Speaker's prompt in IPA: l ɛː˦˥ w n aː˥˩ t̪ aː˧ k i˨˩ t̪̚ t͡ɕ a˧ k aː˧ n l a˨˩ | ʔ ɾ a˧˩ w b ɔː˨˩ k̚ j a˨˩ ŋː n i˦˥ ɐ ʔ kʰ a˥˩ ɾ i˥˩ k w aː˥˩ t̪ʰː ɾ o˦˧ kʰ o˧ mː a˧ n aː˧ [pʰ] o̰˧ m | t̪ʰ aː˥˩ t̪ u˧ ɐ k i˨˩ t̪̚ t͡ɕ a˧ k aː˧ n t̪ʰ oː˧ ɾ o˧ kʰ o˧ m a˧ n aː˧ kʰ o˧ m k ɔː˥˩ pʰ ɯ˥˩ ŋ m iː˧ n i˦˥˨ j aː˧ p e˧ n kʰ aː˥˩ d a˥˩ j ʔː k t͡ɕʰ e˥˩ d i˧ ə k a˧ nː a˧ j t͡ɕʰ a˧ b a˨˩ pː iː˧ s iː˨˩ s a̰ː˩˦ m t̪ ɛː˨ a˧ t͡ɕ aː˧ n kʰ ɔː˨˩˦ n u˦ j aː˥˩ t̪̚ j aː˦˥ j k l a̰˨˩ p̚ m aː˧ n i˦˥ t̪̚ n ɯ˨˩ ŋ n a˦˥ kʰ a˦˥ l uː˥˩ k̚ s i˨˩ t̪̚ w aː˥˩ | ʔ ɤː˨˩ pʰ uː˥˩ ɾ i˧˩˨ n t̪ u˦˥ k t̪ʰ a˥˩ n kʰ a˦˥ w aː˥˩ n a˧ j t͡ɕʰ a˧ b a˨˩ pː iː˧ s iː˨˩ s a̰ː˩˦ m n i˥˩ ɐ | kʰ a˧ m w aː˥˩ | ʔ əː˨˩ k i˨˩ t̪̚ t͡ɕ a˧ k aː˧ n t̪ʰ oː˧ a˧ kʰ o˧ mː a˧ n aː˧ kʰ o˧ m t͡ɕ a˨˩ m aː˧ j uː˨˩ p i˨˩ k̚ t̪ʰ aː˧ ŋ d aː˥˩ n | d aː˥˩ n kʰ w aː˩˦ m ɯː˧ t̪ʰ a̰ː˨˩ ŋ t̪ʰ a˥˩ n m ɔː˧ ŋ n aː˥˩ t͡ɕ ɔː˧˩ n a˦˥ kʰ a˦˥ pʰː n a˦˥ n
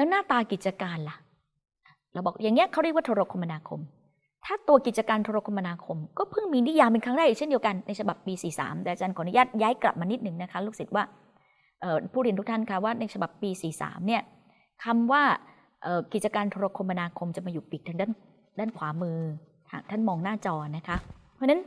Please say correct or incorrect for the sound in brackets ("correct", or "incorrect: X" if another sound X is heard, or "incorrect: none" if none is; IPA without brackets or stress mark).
incorrect: kʰ